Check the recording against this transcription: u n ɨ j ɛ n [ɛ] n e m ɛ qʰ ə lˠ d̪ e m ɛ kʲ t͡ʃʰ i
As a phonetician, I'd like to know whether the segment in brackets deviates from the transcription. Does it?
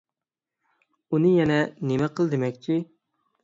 no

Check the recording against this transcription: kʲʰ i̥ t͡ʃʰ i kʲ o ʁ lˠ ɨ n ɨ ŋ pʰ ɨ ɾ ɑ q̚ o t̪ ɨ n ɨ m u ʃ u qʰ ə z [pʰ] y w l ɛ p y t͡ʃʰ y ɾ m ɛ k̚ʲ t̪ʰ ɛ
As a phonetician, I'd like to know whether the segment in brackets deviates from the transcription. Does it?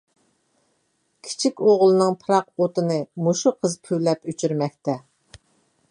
no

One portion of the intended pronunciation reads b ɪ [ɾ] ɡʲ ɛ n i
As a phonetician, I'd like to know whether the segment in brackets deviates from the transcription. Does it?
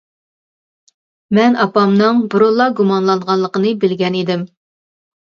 yes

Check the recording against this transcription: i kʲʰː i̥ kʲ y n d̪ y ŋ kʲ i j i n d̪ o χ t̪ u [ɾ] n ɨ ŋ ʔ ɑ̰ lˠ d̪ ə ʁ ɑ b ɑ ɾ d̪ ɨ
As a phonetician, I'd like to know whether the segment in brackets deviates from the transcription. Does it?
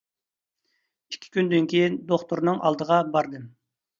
no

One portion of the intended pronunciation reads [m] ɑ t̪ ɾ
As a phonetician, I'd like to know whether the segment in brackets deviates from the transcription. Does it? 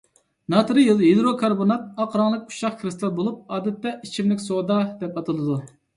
yes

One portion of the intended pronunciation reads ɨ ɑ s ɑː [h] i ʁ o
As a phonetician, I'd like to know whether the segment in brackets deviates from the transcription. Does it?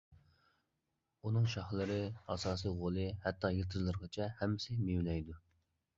yes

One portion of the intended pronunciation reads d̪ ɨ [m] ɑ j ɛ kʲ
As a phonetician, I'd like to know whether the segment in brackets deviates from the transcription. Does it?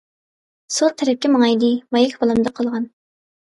no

